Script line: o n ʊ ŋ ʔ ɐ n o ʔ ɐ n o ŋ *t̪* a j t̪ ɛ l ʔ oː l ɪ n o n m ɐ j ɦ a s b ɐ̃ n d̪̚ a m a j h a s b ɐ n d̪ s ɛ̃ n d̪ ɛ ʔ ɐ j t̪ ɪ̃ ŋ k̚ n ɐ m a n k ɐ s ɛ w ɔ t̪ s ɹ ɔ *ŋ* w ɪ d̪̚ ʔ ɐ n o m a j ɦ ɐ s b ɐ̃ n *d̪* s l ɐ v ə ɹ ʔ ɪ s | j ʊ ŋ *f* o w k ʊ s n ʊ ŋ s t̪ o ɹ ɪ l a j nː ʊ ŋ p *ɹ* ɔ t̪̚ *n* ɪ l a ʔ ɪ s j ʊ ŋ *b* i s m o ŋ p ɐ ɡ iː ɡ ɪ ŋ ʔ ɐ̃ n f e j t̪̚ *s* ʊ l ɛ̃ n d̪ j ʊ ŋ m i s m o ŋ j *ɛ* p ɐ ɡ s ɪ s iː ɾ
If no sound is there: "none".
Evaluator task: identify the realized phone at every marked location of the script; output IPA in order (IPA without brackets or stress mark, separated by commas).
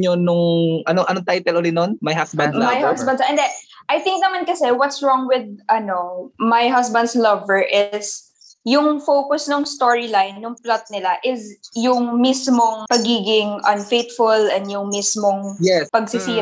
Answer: t̪, ŋ, d̪, f, l, n, m, f, ɛ